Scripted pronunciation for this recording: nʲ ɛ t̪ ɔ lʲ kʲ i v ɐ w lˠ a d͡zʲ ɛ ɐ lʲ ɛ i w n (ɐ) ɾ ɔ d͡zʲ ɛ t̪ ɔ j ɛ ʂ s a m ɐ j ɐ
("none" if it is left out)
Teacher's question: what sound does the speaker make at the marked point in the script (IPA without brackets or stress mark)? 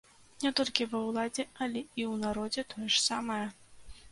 a